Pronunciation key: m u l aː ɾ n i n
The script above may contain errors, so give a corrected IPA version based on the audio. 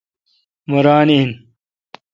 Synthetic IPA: m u ɾ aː n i n